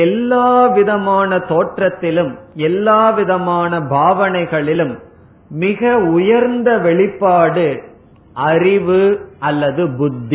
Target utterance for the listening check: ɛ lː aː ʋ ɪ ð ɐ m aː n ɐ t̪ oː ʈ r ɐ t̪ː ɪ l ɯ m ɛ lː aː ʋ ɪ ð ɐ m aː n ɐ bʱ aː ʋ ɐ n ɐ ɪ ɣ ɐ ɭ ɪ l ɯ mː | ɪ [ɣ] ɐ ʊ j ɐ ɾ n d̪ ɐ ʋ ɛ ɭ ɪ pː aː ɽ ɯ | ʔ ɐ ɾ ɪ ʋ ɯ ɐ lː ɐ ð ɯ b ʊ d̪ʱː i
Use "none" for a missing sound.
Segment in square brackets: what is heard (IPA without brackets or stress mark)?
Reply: ɣ